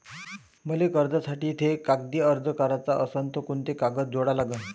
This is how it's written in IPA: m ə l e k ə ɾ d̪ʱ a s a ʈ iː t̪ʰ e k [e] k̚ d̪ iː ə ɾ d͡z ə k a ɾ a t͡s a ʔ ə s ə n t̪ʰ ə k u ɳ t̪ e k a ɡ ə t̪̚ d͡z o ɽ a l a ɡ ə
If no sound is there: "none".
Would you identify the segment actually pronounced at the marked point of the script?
a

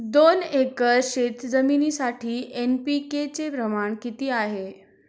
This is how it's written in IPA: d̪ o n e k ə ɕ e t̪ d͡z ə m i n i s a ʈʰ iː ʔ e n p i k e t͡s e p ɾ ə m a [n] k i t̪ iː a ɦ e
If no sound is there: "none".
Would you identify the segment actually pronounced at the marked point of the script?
ɳ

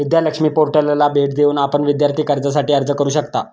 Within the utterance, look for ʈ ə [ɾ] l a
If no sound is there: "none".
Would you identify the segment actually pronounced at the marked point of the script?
l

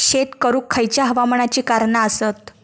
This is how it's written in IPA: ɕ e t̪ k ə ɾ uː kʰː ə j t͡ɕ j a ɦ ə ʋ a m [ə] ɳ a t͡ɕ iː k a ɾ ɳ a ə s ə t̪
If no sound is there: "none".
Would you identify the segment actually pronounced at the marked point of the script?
ə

